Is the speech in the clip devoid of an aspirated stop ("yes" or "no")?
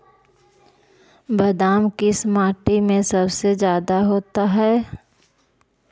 yes